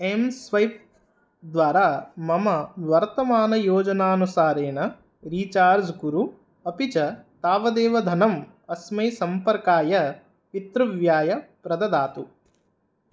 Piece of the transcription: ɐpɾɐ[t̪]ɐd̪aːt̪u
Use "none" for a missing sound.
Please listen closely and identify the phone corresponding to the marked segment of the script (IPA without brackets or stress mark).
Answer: d̪